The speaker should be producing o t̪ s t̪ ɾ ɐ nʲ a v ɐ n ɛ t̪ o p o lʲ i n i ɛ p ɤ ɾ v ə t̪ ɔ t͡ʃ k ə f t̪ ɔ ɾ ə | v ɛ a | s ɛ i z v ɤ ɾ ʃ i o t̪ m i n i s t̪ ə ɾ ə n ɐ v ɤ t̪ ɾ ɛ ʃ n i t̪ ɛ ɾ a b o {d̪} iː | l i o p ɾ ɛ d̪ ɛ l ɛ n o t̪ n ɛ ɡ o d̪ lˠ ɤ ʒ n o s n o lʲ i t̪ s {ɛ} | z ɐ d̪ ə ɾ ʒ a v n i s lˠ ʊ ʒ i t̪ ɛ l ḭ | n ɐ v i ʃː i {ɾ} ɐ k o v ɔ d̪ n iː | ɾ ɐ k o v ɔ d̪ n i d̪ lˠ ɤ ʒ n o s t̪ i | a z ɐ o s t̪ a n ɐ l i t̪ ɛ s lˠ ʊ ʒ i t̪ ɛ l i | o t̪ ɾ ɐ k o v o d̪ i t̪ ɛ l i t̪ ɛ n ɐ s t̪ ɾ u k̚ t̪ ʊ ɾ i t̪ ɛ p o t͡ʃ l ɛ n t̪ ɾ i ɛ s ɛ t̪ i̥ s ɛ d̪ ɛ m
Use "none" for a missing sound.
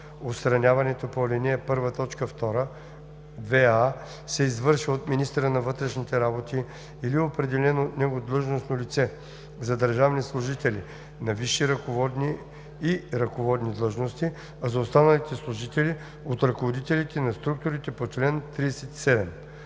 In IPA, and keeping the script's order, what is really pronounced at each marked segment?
t̪, ɛ, ɾ

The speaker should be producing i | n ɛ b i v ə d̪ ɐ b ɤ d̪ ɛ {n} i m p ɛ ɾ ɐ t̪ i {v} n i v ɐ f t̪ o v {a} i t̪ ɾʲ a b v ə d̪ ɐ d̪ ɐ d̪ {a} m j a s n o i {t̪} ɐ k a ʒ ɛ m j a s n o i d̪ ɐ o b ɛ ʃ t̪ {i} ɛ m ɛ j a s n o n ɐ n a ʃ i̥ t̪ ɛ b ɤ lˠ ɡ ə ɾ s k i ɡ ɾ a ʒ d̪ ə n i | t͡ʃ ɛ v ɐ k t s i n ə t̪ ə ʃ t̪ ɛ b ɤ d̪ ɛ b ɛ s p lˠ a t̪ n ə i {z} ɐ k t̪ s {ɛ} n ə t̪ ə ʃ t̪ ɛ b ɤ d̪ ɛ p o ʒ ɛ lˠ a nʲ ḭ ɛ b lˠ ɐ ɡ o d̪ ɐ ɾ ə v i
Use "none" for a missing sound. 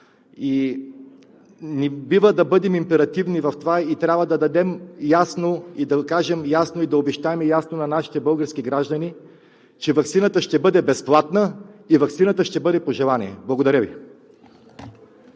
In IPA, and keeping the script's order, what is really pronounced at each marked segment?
m, v, a, ɛ, d̪, a, v, i

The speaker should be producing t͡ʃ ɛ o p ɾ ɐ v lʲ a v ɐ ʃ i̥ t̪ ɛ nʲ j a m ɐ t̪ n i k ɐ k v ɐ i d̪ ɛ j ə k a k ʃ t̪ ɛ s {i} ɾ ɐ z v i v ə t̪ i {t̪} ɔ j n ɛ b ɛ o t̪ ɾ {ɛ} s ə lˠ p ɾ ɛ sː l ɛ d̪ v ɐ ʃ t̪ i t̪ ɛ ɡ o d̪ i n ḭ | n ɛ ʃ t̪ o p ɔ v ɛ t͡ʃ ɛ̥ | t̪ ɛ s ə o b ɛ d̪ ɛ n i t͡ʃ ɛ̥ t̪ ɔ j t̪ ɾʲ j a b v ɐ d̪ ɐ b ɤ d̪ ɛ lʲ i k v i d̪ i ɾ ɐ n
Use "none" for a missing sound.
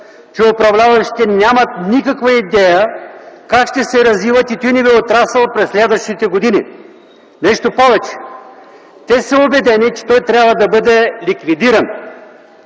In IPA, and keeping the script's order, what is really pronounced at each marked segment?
ɛ, t̪, a

